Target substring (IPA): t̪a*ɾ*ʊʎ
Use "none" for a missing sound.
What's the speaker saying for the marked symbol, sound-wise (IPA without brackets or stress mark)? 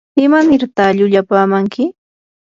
ʎ